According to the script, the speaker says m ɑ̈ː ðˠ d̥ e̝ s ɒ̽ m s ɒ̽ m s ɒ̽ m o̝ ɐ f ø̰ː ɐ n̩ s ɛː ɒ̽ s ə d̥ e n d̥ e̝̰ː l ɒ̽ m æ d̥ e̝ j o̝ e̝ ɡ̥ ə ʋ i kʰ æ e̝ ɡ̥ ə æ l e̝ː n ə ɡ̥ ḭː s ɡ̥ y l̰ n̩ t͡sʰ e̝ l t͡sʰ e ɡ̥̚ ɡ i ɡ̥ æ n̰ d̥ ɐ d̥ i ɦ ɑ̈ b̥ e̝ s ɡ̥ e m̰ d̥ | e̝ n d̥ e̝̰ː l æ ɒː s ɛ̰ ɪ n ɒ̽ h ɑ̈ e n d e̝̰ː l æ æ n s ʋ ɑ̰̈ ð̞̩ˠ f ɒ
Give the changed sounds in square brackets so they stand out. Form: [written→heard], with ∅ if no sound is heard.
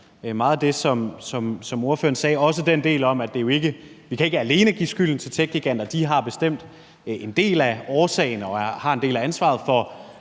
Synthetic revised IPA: m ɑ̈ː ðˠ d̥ e̝ s ɒ̽ m s ɒ̽ m s ɒ̽ m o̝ ɐ f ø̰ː ɐ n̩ s ɛː ɒ̽ s ə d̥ e n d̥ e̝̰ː l ɒ̽ m æ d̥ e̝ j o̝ e̝ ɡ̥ ə ʋ i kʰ æ e̝ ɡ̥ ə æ l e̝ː n ə ɡ̥ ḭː s ɡ̥ y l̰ n̩ t͡sʰ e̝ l t͡sʰ e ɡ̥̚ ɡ i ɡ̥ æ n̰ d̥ ɐ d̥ i ɦ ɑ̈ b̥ e̝ s [ɡ̥→d̥] e m̰ d̥ | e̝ n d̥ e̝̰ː l æ ɒː s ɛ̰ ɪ n ɒ̽ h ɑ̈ e n d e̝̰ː l æ æ n s ʋ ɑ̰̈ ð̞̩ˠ f ɒ